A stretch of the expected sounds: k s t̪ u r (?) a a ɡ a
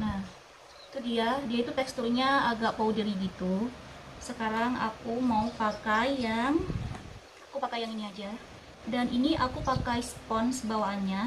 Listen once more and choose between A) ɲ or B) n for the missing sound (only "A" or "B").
A